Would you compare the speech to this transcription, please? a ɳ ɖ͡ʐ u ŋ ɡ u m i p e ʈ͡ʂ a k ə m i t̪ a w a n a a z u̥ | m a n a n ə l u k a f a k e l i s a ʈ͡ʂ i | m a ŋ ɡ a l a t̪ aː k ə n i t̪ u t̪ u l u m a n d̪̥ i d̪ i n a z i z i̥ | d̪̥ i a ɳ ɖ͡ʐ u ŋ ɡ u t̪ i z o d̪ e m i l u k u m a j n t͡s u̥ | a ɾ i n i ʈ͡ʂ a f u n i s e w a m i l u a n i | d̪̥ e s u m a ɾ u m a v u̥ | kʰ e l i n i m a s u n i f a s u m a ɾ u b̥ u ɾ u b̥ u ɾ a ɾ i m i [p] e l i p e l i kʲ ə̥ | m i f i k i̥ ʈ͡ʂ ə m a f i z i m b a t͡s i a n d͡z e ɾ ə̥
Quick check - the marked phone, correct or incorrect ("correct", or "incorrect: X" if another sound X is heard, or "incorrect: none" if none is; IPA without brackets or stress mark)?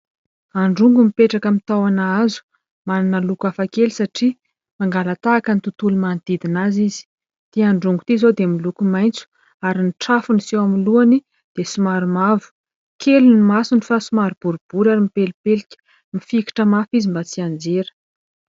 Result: correct